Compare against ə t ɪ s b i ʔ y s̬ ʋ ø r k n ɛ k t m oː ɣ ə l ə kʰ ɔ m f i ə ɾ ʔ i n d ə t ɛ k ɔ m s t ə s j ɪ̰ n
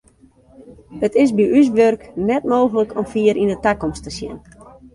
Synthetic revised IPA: ə t ɪ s b i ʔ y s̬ ʋ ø r k n ɛ t m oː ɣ ə l ə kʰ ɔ m f i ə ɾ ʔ i n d ə t a k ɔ m s t ə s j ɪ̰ n